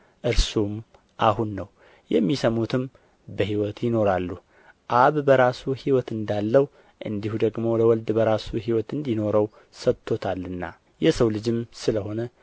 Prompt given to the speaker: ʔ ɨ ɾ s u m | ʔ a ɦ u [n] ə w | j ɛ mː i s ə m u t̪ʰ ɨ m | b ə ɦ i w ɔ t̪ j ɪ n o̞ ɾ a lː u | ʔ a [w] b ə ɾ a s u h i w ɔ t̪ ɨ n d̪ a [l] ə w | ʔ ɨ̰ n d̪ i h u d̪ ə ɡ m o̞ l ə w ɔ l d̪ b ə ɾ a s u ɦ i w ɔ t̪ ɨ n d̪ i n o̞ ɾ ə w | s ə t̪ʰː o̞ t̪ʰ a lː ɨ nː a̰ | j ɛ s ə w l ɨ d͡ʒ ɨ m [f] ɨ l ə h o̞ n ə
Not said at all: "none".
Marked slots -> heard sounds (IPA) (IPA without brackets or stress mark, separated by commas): nː, β, lː, s